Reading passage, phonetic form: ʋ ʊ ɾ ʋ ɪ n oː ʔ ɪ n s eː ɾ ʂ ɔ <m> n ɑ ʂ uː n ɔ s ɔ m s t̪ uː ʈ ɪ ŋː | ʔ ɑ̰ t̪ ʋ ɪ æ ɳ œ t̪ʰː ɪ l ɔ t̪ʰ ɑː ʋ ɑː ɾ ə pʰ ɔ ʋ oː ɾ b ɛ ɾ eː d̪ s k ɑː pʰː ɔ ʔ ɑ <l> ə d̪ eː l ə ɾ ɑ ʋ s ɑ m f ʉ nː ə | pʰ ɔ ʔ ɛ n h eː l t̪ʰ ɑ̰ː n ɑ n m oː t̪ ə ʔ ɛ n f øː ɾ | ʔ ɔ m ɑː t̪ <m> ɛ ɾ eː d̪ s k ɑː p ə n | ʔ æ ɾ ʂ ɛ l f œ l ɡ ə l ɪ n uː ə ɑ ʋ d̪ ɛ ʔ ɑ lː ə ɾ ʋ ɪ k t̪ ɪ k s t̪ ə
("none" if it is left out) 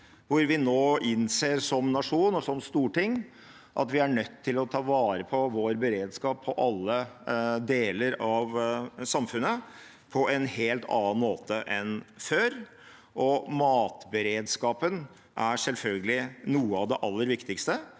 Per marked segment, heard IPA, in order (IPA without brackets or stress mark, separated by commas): m, lː, b